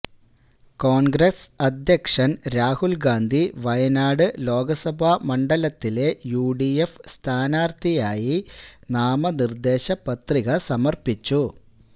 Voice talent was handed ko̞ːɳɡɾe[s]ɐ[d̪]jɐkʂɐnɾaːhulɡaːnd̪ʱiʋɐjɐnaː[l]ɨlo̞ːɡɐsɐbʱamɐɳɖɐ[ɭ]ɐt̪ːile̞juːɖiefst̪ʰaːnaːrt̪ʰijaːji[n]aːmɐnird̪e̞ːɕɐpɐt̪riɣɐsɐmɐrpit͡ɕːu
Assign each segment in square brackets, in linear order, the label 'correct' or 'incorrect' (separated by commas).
correct, correct, incorrect, incorrect, correct